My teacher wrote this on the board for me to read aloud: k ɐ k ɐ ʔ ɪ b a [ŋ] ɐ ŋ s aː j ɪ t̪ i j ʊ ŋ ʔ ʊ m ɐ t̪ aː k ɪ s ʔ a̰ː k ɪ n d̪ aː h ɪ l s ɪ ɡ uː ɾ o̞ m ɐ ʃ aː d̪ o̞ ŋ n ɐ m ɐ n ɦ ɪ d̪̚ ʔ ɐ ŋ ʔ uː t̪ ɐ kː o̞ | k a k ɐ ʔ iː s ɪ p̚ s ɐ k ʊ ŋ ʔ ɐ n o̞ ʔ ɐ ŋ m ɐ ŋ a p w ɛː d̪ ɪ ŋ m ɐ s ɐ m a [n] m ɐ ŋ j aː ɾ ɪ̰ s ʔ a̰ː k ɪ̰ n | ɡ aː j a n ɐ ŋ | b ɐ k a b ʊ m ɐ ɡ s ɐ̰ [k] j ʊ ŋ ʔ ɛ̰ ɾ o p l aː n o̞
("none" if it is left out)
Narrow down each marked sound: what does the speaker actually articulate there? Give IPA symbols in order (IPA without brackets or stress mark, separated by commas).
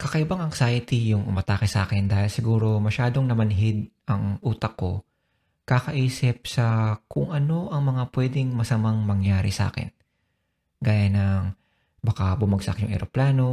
ŋ, ŋ, k